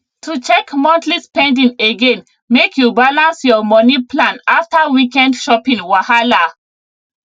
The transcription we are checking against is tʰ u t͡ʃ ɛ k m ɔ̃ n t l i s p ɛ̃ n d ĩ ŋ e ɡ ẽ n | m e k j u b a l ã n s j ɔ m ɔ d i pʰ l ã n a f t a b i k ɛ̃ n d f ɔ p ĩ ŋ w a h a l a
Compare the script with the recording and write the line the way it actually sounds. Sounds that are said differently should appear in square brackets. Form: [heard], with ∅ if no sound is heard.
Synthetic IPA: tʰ u t͡ʃ ɛ k m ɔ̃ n t l i s p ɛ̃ n d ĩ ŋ e ɡ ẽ n | m e k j u b a l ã n s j ɔ m ɔ [n] i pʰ l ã n a f t a [w] i k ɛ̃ n d [ʃ] ɔ p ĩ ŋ w a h a l a